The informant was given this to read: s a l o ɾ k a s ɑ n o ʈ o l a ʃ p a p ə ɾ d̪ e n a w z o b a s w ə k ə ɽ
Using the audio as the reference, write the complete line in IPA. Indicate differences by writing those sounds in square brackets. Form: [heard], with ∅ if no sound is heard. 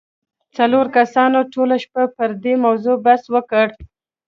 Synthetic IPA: [t͡s] a l o ɾ k a s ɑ n o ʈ o l a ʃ p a p ə ɾ d̪ e [m] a w z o b a s w ə k ə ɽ